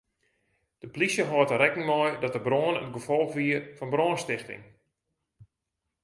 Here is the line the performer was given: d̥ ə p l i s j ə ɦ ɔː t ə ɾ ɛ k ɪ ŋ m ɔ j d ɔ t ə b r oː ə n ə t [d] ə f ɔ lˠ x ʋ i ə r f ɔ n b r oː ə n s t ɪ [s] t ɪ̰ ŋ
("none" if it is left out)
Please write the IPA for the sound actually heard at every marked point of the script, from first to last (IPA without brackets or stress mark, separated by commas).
ɡ, x